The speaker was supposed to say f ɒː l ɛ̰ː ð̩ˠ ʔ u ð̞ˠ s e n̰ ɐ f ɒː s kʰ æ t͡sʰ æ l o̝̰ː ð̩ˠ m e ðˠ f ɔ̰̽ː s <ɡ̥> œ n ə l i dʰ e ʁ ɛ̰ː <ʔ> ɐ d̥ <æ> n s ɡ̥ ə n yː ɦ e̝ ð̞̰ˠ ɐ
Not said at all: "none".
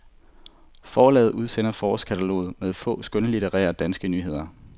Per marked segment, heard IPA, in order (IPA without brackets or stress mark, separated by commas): ɡ̥, none, æ